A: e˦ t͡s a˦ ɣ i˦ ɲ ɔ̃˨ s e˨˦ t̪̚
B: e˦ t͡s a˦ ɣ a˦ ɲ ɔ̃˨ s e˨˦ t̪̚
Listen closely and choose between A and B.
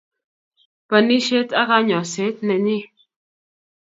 B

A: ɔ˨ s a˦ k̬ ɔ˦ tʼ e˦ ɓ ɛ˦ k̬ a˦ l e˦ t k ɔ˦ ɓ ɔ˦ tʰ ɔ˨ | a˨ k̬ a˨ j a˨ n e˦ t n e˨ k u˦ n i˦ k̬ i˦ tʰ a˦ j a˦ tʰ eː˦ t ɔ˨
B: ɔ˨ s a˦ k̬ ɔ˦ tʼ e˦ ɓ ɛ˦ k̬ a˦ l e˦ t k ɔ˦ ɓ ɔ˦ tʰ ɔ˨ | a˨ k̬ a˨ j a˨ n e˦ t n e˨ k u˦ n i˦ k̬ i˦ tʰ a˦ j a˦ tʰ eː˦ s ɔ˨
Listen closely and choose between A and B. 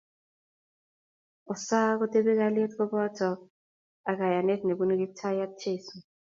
B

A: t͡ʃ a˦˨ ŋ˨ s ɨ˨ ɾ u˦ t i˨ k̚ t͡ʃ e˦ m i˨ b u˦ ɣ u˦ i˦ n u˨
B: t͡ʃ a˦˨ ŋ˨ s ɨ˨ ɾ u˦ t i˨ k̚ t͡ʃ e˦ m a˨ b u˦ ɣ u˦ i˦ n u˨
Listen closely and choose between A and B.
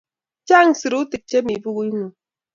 A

